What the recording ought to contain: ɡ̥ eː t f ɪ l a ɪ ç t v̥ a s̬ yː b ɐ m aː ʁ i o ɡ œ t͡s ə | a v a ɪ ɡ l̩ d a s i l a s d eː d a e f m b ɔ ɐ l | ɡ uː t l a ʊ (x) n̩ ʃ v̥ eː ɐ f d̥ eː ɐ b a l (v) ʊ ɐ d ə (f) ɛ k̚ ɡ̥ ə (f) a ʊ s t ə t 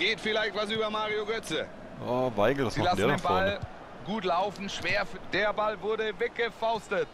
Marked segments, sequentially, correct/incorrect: incorrect: f, correct, incorrect: v, correct

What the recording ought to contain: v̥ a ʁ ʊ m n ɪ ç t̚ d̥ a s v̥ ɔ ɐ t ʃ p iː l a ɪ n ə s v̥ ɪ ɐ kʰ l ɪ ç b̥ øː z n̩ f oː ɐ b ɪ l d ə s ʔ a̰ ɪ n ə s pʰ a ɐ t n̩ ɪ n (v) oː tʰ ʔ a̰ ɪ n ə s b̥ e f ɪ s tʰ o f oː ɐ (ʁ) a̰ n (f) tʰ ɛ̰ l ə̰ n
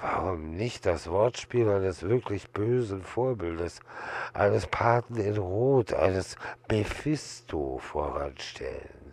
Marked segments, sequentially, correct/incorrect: incorrect: ʁ, correct, incorrect: ʃ

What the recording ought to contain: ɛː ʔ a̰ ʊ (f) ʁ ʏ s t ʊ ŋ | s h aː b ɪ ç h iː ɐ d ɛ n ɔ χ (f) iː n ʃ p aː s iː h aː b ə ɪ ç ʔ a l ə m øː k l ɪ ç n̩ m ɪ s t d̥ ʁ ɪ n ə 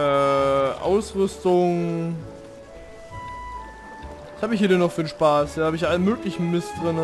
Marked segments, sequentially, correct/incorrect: incorrect: s, correct

